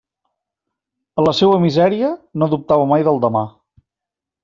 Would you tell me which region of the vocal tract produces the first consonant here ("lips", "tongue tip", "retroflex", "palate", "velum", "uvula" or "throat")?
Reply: tongue tip